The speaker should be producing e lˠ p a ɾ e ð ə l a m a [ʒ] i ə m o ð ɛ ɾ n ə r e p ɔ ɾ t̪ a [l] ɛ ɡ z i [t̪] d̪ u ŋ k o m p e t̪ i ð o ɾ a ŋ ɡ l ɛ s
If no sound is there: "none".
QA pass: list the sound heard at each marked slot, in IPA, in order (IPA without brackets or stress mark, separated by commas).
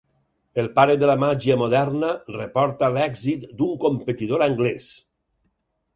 ʒ, l, t̪